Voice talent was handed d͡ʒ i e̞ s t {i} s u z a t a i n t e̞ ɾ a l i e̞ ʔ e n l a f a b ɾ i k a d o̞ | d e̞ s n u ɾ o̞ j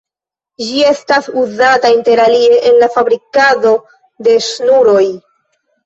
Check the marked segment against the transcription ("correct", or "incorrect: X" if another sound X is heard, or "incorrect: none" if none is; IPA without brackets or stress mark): incorrect: a